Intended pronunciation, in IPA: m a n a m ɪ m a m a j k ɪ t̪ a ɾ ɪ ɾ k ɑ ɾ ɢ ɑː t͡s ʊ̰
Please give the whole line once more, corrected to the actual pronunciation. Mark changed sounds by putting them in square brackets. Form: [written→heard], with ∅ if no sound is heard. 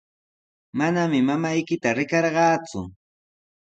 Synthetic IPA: m a n a m ɪ m a m a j k ɪ t̪ a ɾ ɪ [ɾ→∅] k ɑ ɾ ɢ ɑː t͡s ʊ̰